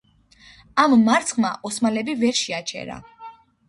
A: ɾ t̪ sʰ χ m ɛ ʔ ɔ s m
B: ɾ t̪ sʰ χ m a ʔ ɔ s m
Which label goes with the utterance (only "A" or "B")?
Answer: B